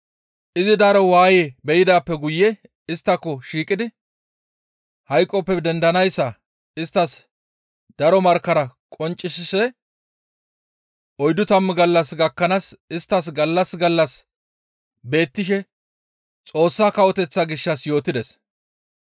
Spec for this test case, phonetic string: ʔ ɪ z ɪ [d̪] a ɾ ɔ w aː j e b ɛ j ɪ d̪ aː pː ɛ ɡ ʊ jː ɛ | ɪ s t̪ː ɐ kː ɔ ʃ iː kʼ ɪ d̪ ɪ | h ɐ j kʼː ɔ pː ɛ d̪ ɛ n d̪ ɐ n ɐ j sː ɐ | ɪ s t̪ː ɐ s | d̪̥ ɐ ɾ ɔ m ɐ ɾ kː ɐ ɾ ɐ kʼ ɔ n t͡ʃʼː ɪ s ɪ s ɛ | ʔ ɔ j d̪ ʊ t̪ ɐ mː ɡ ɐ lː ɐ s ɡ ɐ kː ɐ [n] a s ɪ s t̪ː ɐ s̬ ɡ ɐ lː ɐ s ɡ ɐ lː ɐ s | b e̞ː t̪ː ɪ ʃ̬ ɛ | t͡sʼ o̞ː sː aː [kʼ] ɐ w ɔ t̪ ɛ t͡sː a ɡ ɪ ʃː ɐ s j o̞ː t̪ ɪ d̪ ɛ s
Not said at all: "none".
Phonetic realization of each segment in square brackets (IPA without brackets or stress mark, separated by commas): d̪, n, k